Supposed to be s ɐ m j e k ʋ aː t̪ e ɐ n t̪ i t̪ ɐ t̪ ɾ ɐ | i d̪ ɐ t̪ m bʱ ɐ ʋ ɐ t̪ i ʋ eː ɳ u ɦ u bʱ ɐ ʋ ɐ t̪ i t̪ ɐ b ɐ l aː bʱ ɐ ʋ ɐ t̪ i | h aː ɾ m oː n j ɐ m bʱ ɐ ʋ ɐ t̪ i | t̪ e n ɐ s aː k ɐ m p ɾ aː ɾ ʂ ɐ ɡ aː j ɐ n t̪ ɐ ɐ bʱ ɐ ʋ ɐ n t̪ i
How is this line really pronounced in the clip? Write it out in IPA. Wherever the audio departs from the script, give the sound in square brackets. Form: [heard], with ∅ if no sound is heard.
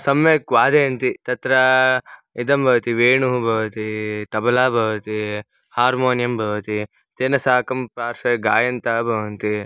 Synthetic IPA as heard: s ɐ m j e k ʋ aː [d̪] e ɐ n t̪ i t̪ ɐ t̪ ɾ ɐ | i d̪ ɐ [∅] m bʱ ɐ ʋ ɐ t̪ i ʋ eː ɳ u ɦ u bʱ ɐ ʋ ɐ t̪ i t̪ ɐ b ɐ l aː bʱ ɐ ʋ ɐ t̪ i | h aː ɾ m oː n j ɐ m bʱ ɐ ʋ ɐ t̪ i | t̪ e n ɐ s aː k ɐ m p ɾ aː ɾ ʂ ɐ ɡ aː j ɐ n t̪ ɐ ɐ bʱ ɐ ʋ ɐ n t̪ i